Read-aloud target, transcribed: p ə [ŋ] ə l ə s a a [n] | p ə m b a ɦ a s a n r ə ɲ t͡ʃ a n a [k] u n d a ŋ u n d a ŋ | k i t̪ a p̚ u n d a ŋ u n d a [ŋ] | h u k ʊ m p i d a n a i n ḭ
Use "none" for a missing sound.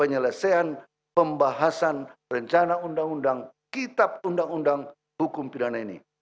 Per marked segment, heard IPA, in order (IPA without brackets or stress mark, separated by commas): ɲ, n, none, ŋ